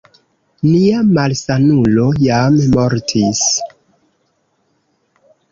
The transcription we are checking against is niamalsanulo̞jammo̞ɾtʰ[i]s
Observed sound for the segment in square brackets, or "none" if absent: i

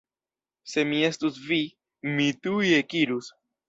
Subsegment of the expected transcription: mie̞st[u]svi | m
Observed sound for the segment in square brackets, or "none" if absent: u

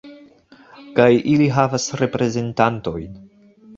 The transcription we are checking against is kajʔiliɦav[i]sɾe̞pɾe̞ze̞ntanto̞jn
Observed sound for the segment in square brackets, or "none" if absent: a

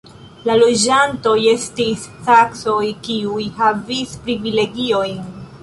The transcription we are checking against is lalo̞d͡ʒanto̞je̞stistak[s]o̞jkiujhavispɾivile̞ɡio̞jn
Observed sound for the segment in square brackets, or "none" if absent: s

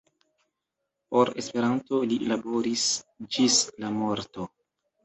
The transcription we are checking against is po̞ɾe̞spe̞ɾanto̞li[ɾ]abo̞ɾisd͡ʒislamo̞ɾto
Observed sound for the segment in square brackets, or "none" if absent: l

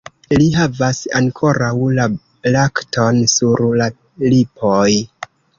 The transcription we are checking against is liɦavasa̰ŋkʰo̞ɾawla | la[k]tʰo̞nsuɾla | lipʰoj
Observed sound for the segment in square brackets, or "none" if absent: k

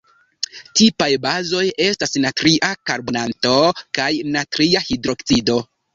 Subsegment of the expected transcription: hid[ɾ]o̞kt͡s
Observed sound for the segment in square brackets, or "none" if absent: ɾ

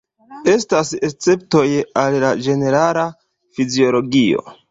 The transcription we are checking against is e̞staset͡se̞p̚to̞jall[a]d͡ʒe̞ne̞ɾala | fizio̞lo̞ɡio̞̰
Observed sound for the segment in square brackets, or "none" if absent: a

